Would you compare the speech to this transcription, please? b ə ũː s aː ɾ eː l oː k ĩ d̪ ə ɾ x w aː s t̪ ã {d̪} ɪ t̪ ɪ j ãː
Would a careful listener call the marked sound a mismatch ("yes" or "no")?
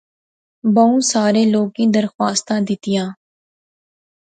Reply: no